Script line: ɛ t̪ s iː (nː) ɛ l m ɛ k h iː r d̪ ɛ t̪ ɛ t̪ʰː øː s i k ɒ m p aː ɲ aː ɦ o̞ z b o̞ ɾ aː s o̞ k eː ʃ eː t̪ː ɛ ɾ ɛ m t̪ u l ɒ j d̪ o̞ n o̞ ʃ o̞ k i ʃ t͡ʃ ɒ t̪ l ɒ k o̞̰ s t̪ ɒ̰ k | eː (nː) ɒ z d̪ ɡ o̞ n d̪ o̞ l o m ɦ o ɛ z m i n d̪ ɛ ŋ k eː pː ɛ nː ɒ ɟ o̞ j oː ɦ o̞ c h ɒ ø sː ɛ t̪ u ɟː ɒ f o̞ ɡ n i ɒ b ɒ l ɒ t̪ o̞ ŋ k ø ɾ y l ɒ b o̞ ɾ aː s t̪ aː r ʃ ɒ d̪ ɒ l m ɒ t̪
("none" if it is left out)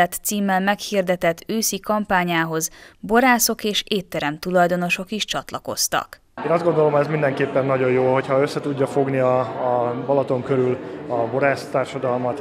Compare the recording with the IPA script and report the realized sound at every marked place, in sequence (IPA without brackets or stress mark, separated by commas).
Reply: mː, n